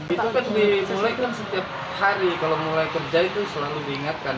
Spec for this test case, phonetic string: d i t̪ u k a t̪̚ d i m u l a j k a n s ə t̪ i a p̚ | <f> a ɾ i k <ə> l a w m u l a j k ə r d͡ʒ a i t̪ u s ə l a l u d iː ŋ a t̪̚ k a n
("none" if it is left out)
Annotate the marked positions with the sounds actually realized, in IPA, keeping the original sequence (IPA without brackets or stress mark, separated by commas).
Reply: h, a